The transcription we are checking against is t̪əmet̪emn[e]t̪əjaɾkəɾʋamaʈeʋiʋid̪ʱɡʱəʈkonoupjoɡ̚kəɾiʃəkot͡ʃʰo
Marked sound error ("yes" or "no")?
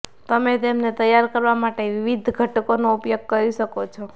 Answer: no